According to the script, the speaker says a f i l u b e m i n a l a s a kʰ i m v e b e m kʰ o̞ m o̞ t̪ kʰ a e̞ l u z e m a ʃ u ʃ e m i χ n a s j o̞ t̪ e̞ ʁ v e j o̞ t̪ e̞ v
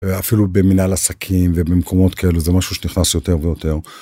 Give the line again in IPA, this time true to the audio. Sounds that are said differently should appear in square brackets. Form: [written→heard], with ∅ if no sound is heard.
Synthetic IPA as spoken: a f i l u b e m i n a l a s a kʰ i m v e b e m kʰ o̞ m o̞ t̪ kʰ a e̞ l u z e m a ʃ u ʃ e [m→n] i χ n a s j o̞ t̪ e̞ ʁ v e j o̞ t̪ e̞ [v→ʁ]